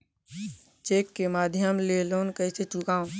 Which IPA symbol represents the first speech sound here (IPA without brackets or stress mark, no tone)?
t͡ʃ